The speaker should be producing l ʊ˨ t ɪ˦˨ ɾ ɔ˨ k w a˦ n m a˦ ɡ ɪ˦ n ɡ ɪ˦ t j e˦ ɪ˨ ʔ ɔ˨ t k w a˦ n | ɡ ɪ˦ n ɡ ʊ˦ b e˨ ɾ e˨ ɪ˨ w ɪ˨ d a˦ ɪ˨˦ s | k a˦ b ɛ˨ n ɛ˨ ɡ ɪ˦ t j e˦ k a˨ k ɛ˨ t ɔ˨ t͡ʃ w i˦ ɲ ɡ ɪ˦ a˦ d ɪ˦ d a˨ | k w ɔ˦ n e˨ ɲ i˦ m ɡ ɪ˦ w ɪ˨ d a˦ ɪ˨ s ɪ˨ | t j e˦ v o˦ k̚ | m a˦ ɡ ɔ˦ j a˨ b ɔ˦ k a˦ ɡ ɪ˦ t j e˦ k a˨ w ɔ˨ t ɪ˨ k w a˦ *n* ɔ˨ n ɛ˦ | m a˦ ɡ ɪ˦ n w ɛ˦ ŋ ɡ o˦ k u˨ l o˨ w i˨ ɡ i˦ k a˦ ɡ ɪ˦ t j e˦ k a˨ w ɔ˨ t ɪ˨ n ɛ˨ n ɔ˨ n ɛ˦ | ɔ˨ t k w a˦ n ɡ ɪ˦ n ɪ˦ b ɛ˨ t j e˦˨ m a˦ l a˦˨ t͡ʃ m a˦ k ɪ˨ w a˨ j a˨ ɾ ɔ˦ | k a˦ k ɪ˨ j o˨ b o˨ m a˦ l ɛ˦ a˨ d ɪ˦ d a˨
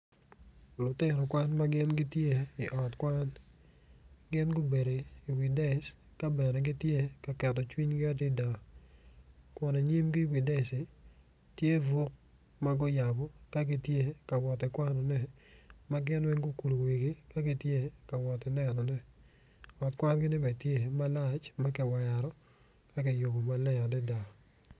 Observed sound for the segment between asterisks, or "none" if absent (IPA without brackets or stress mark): n